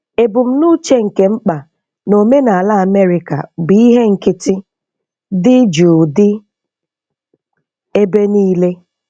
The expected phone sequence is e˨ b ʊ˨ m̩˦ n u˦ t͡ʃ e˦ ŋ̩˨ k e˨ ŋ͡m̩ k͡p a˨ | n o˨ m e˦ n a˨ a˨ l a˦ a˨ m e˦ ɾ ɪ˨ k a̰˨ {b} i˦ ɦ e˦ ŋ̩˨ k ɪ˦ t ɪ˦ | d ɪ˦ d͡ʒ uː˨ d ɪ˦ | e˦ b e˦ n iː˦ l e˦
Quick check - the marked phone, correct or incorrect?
correct